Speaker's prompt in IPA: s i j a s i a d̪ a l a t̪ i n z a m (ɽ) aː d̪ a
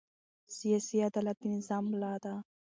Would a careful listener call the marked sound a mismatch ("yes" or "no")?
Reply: yes